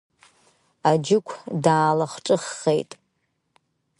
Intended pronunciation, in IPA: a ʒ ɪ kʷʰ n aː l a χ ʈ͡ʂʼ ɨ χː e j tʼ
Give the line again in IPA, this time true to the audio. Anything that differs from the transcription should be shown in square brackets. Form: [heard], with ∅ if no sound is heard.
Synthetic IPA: a [d͡ʒ] ɪ kʷʰ [d] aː l a χ ʈ͡ʂʼ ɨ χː e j tʼ